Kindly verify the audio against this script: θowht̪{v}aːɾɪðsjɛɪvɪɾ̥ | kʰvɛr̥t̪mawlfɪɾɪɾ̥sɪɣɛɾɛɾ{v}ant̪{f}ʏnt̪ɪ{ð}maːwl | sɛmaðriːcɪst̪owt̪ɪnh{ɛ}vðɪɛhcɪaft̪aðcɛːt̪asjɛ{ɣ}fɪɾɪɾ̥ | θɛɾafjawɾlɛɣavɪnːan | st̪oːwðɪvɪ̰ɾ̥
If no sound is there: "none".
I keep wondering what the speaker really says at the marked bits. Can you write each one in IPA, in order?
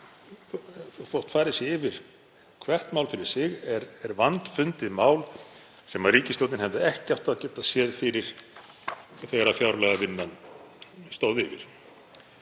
f, v, f, ð, ɛ, ð

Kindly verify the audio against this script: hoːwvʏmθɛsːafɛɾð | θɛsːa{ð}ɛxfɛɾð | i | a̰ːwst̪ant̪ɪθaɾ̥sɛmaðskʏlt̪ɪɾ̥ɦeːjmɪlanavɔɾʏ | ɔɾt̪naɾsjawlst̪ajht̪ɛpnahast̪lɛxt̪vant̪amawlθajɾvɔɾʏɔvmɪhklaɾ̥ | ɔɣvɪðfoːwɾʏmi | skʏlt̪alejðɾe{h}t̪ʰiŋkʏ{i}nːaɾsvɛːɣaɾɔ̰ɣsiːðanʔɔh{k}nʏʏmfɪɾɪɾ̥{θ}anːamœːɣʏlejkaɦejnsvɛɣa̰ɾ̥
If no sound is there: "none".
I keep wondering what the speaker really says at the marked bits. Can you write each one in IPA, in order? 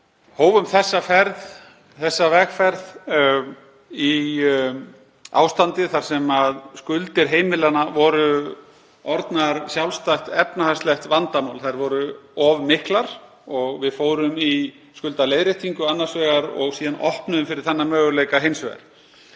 v, h, a, p, θ

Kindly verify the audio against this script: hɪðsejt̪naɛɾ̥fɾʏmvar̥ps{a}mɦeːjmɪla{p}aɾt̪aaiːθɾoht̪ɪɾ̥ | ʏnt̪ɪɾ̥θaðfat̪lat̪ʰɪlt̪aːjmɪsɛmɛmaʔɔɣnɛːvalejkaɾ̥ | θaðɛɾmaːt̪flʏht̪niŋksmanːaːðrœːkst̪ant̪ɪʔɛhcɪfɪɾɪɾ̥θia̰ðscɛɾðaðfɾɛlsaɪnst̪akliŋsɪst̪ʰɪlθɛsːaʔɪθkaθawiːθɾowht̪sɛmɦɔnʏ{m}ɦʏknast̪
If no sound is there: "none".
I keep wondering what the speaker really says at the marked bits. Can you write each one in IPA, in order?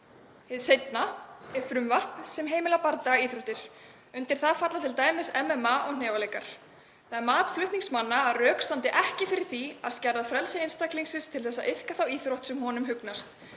ɛ, p, m

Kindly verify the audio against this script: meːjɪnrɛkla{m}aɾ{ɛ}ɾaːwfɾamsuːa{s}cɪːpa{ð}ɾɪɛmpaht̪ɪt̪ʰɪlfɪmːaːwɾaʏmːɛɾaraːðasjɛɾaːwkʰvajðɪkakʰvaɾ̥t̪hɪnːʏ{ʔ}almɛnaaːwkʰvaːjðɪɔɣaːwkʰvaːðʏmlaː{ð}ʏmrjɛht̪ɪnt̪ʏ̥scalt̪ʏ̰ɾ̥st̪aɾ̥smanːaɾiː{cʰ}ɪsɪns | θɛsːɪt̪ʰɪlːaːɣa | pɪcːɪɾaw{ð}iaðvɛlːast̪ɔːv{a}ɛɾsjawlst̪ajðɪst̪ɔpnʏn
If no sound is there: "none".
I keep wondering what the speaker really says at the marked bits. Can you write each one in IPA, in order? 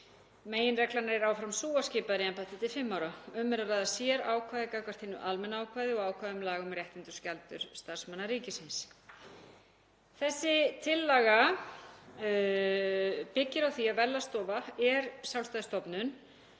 n, ɛ, s, ð, ʔ, ɣ, c, θ, a

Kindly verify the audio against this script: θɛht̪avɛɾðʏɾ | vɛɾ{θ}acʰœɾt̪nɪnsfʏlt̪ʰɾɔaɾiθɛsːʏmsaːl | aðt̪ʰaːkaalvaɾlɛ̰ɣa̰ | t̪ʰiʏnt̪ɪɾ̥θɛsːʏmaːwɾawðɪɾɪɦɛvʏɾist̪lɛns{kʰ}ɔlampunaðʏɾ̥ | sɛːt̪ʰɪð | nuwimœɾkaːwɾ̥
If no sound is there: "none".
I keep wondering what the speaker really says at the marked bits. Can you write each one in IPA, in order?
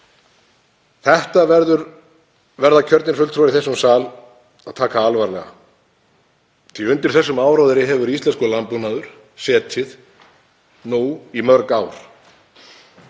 ð, k

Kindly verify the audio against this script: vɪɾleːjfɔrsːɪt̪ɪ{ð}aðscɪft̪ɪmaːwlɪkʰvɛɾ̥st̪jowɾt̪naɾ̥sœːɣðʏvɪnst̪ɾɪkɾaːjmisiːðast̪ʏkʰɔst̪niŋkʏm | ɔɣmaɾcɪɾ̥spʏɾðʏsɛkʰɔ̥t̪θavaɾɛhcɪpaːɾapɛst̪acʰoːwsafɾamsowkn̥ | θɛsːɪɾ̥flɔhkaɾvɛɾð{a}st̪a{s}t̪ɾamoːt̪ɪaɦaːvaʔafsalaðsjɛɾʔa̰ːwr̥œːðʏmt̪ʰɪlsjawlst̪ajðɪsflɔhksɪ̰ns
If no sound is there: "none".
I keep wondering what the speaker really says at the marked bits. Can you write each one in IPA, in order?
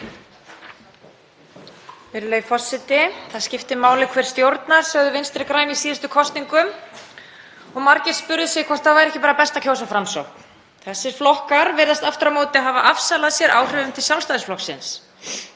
θ, a, f

